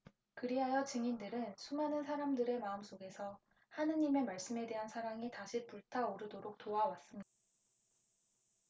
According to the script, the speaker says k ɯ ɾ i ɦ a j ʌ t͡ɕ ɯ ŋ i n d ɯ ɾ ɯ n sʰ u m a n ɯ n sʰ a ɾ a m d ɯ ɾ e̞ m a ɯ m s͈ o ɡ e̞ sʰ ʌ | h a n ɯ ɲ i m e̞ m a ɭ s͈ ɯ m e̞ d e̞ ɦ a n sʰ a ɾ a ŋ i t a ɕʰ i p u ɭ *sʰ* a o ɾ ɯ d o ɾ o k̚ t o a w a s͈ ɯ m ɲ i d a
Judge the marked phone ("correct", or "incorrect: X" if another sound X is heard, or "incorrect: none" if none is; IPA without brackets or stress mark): incorrect: tʰ